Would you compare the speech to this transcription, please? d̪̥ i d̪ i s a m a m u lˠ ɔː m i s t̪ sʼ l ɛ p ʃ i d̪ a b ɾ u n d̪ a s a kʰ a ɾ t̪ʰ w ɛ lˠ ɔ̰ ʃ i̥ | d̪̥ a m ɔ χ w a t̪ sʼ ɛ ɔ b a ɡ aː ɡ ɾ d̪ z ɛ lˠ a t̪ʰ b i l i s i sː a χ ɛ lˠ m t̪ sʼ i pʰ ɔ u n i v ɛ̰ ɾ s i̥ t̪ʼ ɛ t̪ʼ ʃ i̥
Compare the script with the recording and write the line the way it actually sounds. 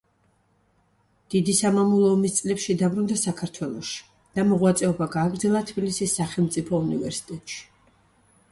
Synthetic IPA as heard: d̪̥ i d̪ i s a m a m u lˠ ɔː m i s t̪ sʼ l ɛ p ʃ i d̪ a b ɾ u n d̪ a s a kʰ a ɾ t̪ʰ w ɛ lˠ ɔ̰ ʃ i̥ | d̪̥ a m ɔ ʁ w a t̪ sʼ ɛ ɔ b a ɡ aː ɡ ɾ d̪ z ɛ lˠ a t̪ʰ b i l i s i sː a χ ɛ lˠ m t̪ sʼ i pʰ ɔ u n i v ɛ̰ ɾ s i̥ t̪ʼ ɛ t̪ʼ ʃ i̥

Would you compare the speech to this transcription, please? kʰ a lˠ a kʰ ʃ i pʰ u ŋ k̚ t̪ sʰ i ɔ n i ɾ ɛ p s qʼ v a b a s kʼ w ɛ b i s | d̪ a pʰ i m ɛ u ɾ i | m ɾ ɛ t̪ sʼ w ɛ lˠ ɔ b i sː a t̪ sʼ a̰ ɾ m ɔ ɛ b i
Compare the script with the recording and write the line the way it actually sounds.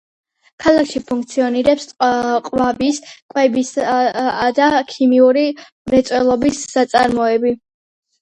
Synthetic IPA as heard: kʰ a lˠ a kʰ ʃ i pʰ u ŋ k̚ t̪ sʰ i ɔ n i ɾ ɛ p s qʼ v a b i s kʼ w ɛ b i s | d̪ a kʰ i m i u ɾ i | m ɾ ɛ t̪ sʼ w ɛ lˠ ɔ b i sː a t̪ sʼ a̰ ɾ m ɔ ɛ b i

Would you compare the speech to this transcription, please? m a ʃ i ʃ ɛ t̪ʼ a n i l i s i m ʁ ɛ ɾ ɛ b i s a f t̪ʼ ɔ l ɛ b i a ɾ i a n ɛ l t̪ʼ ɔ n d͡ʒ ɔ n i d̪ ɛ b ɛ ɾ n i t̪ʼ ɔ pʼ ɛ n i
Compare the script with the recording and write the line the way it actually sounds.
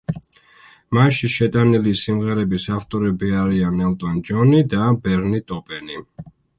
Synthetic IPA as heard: m a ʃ i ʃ ɛ t̪ʼ a n i l i s i m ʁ ɛ ɾ ɛ b i s a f t̪ʼ ɔ ɾ ɛ b i a ɾ i a n ɛ l t̪ʼ ɔ n d͡ʒ ɔ n i d̪ a b ɛ ɾ n i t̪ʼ ɔ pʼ ɛ n i

